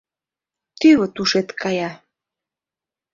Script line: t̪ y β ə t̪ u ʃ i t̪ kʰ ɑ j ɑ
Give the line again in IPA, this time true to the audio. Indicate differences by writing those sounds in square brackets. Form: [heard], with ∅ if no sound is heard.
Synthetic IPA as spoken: t̪ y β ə t̪ u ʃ [e] t̪ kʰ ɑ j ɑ